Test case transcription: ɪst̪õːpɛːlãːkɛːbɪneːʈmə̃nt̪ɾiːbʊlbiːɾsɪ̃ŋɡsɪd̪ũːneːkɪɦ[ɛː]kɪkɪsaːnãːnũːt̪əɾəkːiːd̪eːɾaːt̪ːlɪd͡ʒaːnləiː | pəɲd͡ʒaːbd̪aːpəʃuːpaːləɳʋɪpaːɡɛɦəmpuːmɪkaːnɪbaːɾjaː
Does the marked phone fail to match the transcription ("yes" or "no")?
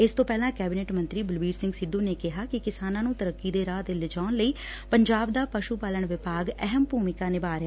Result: yes